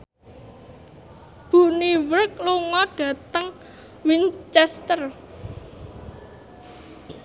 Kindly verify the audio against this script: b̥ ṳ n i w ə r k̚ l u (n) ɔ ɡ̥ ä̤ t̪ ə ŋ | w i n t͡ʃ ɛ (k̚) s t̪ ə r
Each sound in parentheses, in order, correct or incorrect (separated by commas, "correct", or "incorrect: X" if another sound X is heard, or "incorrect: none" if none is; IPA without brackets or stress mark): incorrect: ŋ, incorrect: none